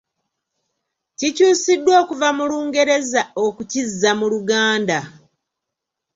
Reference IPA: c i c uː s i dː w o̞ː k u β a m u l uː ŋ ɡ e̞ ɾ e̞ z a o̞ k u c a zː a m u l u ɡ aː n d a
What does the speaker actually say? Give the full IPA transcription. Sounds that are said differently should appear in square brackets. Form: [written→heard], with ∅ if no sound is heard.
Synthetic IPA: c i c uː s i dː w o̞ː k u [β→v] a m u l uː ŋ ɡ e̞ ɾ e̞ z a o̞ k u c [a→i] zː a m u l u ɡ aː n d a